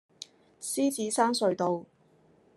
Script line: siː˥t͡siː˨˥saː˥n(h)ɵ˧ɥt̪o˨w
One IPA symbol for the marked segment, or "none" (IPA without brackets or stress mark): s